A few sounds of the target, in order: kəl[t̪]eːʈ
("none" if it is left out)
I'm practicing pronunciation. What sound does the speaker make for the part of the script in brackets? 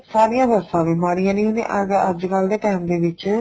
d̪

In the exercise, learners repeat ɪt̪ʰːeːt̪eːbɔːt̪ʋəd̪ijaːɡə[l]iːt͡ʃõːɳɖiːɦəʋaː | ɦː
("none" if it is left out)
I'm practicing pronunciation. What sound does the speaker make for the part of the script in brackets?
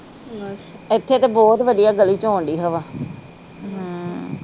l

